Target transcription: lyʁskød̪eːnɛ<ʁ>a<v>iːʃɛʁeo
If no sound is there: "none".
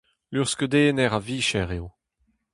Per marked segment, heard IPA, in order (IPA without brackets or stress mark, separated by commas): ʁ, v